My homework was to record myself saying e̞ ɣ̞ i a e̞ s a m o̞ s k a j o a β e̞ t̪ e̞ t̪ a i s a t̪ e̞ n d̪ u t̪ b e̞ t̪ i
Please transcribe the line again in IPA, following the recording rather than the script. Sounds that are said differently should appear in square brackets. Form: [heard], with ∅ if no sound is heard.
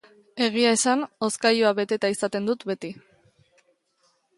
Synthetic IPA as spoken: e̞ ɣ̞ i a e̞ s a [n] o̞ s k a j o a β e̞ t̪ e̞ t̪ a i s a t̪ e̞ n d̪ u t̪ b e̞ t̪ i